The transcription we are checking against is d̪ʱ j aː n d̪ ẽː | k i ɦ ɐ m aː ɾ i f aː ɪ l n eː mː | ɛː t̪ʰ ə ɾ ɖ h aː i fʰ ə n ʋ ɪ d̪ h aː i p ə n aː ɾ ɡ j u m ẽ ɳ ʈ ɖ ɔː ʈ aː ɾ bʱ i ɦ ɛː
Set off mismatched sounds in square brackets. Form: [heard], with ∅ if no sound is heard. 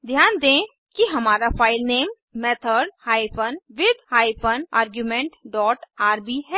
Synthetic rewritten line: d̪ʱ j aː n d̪ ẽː | k i ɦ ɐ m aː ɾ [a] f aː ɪ l n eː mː | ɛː t̪ʰ ə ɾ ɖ h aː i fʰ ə n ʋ ɪ d̪ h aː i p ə n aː ɾ ɡ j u m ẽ ɳ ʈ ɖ ɔː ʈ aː ɾ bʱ i ɦ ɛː